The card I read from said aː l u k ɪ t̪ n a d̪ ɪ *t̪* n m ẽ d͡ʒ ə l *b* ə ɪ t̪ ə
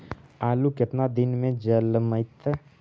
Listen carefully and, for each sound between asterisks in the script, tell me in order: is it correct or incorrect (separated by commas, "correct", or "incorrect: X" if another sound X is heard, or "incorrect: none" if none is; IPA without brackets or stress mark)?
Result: incorrect: none, incorrect: m